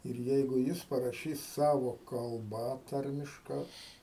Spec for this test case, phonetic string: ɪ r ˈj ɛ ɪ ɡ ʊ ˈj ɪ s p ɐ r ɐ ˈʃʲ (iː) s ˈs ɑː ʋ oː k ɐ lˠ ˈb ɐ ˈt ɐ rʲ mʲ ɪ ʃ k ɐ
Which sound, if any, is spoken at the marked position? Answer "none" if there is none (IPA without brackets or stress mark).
iː